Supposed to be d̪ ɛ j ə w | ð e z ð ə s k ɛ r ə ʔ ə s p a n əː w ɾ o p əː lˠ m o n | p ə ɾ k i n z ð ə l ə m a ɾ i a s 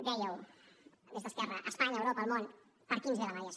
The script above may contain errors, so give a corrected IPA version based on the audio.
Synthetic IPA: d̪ ɛ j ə w | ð e z ð ə s k ɛ r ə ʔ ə s p a ɲ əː w ɾ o p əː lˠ m o n | p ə ɾ k i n z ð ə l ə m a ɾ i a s